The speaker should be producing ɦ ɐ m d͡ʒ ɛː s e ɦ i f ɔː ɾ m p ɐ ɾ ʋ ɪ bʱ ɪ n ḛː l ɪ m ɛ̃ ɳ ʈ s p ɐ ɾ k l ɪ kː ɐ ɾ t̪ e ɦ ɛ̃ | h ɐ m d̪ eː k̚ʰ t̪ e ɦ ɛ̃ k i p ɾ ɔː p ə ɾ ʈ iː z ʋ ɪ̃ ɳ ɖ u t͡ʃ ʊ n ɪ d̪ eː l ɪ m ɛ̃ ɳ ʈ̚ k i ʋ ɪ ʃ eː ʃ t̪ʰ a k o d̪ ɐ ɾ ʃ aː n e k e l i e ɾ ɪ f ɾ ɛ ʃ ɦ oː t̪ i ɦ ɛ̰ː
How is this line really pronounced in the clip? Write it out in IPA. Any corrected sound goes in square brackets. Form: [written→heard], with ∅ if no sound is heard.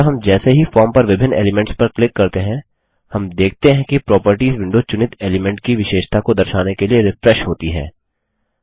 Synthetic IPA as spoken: ɦ ɐ m d͡ʒ ɛː s e ɦ i f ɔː ɾ m p ɐ ɾ ʋ ɪ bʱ ɪ n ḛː l ɪ m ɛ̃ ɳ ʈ s p ɐ ɾ k l ɪ kː ɐ ɾ t̪ e ɦ ɛ̃ | h ɐ m d̪ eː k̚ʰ t̪ e ɦ ɛ̃ k i p ɾ ɔː p ə ɾ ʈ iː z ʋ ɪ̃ ɳ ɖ [u→o] t͡ʃ ʊ n ɪ [d̪→t̪] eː l ɪ m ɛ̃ ɳ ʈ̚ k i ʋ ɪ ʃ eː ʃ t̪ʰ a k o d̪ ɐ ɾ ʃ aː n e k e l i e ɾ ɪ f ɾ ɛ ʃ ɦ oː t̪ i ɦ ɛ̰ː